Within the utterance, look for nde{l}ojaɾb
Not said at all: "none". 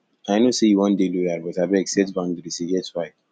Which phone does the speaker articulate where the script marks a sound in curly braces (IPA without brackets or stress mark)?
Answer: l